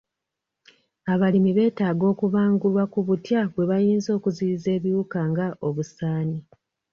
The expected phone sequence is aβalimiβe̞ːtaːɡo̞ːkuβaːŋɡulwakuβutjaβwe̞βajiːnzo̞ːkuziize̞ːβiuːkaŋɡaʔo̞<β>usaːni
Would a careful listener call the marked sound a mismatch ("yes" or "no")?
no